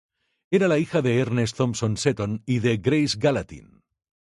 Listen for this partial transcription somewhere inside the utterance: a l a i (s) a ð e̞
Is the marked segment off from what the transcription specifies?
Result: yes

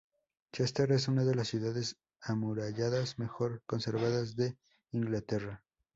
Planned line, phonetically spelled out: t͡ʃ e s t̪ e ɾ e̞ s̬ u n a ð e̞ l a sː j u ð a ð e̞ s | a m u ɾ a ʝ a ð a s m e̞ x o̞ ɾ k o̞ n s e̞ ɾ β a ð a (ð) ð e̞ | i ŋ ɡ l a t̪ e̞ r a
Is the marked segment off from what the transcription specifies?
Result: yes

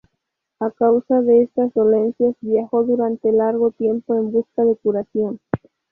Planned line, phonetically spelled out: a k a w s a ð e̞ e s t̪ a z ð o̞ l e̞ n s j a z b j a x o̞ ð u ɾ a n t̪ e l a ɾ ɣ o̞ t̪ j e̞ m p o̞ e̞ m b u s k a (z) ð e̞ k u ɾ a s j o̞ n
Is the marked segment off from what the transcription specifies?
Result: yes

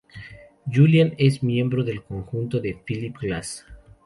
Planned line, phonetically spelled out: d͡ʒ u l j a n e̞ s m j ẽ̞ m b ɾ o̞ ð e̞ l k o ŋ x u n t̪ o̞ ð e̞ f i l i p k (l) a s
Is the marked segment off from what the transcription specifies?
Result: no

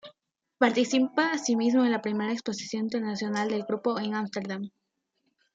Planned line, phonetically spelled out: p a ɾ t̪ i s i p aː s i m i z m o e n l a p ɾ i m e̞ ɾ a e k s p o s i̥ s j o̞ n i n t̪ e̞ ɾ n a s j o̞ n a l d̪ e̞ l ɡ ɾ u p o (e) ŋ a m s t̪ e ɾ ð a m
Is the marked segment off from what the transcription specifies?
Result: no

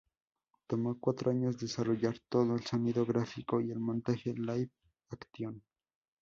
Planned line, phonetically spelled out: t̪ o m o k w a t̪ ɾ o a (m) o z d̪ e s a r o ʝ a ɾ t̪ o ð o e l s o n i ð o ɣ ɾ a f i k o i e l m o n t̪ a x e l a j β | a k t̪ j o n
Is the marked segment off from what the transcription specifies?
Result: yes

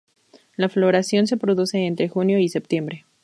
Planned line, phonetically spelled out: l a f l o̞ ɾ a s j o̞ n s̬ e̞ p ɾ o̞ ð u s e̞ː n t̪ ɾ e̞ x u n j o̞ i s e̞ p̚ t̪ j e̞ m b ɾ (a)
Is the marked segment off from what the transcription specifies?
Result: yes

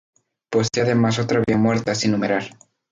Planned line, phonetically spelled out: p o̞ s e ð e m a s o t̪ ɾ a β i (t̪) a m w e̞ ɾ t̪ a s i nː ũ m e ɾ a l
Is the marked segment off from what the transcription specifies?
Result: yes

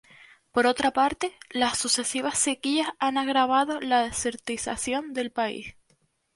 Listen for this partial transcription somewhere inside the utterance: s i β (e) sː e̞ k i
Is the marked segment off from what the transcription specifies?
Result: yes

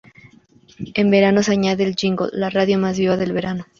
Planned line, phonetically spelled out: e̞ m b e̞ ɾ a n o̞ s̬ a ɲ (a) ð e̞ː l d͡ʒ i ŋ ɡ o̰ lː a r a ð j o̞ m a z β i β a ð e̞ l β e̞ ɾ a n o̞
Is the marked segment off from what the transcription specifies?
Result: no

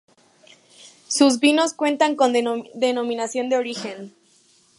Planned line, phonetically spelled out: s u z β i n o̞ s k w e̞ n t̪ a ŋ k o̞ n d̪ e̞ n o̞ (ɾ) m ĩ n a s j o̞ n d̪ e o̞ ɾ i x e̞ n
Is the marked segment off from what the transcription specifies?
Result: yes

